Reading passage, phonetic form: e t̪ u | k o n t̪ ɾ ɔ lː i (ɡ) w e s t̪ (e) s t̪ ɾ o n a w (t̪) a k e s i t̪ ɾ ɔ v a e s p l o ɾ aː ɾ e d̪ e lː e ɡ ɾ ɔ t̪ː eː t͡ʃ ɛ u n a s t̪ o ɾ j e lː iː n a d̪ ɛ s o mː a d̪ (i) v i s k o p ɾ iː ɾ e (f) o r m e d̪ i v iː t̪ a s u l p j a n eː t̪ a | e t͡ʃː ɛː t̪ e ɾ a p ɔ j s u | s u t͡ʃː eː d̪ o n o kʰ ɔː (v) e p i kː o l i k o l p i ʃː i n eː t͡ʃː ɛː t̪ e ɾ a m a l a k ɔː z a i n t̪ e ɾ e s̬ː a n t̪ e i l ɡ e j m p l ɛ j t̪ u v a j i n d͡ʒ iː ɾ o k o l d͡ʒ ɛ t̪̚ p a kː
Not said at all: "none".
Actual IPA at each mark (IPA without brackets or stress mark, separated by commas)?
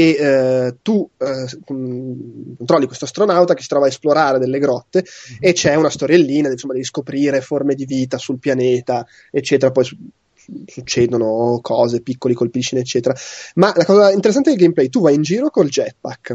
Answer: k, a, t̪, ɛ, f, z